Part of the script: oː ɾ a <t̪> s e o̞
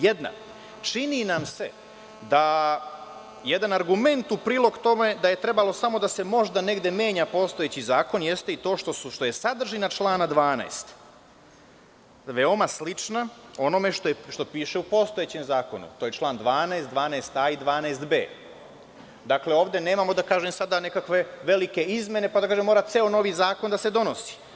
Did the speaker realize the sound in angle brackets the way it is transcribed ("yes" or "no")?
yes